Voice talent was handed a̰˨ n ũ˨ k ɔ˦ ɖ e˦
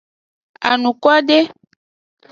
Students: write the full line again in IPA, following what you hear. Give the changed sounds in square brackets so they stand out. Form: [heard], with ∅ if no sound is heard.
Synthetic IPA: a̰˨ n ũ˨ k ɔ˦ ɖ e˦

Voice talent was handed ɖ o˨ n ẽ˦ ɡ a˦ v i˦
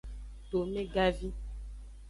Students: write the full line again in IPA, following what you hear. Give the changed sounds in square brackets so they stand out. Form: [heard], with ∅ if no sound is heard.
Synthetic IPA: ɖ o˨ [m] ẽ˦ ɡ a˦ v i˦

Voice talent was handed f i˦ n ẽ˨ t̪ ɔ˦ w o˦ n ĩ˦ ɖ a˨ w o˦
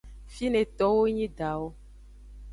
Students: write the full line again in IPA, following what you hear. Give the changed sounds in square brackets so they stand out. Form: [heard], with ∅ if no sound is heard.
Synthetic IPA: f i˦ n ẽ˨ t̪ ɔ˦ w o˦ [ɲ] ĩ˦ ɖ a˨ w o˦

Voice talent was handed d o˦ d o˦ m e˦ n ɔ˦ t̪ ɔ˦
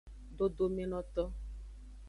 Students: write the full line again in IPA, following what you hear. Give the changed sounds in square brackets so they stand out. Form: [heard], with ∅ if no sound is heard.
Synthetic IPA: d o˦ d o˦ m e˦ n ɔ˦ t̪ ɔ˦

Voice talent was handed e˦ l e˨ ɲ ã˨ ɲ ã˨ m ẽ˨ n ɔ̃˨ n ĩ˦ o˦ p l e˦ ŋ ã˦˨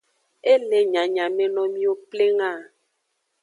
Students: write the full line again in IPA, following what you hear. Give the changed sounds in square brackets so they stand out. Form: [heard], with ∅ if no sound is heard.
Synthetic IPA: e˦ l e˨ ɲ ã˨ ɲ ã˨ m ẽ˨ n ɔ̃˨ [m] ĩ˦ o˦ p l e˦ ŋ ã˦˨

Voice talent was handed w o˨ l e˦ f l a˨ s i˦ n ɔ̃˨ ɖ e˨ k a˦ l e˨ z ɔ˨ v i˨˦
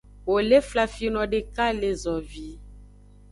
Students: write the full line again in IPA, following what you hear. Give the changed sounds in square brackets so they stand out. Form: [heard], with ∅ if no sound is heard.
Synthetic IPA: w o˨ l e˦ f l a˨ [f] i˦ n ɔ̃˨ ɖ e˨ k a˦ l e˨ z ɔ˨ v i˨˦

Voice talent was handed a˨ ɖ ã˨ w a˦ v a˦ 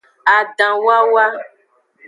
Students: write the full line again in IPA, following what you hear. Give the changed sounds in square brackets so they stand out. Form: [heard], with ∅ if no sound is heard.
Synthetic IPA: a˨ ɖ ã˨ w a˦ [w] a˦

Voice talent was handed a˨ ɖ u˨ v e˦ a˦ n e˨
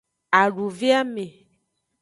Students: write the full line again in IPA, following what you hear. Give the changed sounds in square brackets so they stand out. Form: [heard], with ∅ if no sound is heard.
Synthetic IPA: a˨ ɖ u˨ v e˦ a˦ [m] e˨

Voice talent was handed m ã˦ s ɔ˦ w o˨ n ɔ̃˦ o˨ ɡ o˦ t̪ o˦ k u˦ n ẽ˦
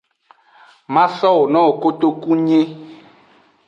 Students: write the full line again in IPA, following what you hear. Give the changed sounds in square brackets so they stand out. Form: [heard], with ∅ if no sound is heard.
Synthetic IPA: m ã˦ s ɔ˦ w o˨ n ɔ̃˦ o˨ [k] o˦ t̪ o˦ k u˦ [ɲ] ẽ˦

